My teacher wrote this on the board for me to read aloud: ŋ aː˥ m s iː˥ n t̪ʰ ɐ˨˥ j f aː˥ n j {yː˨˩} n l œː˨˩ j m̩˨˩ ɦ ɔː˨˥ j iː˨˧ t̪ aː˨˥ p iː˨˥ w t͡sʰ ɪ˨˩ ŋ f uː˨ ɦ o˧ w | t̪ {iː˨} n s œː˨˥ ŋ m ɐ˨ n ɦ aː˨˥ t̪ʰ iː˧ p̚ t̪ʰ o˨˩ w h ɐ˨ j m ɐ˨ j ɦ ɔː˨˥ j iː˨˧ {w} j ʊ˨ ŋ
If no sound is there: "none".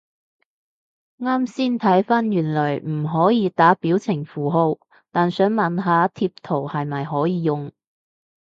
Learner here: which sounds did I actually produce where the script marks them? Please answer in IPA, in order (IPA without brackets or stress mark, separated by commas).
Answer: yː˨˩, aː˨, none